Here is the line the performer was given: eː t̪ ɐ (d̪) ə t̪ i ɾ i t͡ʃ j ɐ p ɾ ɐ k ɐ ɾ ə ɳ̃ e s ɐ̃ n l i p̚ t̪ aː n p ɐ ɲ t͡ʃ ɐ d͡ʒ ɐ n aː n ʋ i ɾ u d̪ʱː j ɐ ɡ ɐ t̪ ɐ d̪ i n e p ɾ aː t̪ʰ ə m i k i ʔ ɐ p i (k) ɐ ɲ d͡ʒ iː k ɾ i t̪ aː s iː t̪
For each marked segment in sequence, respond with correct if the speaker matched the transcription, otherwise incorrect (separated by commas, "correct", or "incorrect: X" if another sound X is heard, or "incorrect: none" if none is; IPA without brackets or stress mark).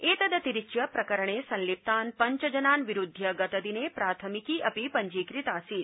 correct, incorrect: p